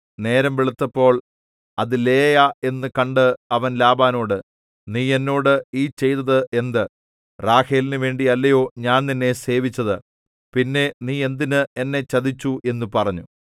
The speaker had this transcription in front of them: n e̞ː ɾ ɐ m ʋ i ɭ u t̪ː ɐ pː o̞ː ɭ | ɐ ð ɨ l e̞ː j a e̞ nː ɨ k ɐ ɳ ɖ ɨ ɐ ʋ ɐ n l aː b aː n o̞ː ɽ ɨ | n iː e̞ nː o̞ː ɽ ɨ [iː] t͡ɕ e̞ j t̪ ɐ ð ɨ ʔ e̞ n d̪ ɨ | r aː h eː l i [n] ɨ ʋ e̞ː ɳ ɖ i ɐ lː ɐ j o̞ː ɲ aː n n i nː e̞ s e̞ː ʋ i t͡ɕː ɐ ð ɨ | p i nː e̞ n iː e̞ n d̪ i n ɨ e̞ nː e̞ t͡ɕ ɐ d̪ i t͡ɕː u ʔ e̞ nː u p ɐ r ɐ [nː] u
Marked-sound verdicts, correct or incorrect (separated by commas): correct, correct, incorrect